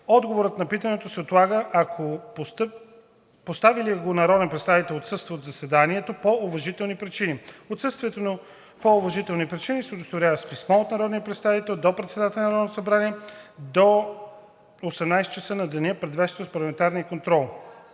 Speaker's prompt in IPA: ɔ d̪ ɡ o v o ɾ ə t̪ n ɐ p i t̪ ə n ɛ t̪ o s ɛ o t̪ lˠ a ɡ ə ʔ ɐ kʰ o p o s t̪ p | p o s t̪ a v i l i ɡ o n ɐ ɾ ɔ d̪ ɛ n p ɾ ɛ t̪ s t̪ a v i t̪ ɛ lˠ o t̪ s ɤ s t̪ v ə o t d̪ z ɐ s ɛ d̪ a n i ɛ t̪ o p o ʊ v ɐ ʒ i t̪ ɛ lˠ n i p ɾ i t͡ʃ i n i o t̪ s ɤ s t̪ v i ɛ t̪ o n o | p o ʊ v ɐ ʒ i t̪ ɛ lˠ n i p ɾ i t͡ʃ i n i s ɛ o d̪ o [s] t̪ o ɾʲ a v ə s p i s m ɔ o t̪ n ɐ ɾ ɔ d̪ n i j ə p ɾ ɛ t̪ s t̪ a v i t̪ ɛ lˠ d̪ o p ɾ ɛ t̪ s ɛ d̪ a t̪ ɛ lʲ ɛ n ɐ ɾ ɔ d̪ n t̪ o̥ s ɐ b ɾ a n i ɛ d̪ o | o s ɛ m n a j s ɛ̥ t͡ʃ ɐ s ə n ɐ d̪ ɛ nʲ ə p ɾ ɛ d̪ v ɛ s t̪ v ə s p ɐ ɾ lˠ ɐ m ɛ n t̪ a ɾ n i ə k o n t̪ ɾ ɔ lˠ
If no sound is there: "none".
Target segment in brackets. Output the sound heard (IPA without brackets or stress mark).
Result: s